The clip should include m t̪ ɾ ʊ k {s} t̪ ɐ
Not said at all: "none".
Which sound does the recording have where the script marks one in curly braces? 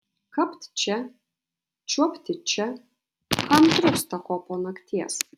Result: s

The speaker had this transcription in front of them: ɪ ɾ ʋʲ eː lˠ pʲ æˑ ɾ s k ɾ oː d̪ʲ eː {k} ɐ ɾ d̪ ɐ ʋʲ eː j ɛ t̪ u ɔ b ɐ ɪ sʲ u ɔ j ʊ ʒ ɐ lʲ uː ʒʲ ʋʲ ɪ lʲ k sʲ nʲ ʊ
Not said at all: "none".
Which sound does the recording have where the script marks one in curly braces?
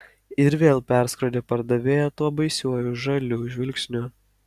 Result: p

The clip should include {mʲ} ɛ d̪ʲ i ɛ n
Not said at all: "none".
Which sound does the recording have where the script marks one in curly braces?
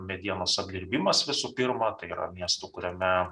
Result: mʲ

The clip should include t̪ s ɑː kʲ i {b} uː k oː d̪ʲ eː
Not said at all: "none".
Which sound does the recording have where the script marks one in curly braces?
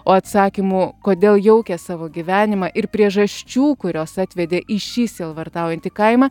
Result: m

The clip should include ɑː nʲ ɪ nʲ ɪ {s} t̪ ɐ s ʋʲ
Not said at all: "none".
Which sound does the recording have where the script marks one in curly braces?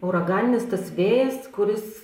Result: s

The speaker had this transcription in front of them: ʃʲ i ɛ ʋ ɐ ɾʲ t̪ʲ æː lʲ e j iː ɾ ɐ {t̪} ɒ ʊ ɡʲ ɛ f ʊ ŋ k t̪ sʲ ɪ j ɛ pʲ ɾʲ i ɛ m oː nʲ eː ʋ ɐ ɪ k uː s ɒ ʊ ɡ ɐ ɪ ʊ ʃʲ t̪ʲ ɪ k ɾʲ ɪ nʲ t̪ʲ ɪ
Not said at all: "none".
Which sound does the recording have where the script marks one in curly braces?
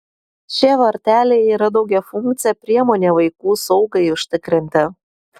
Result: d̪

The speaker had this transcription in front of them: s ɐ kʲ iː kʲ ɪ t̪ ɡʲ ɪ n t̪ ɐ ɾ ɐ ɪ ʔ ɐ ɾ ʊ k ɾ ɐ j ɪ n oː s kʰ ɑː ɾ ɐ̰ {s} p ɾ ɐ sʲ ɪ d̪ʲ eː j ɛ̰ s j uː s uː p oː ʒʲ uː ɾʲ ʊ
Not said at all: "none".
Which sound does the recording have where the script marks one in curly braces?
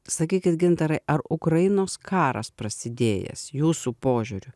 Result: s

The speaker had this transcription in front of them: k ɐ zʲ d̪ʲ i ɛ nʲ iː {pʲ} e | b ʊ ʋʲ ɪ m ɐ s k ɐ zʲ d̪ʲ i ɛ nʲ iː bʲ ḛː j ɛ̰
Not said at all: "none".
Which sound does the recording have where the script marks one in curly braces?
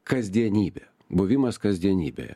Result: bʲ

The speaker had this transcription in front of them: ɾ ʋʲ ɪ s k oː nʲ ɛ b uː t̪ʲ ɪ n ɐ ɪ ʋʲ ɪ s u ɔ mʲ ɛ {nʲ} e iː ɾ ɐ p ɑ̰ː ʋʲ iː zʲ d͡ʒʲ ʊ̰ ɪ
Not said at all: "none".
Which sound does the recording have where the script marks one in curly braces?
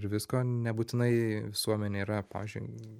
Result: nʲ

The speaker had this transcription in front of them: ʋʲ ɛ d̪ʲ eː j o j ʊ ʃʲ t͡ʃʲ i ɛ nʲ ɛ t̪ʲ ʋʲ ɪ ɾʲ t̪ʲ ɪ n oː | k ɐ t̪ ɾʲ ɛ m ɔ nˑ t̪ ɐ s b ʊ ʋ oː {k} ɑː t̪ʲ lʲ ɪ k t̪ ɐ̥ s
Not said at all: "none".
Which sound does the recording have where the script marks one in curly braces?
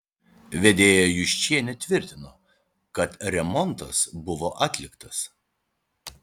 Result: ʔ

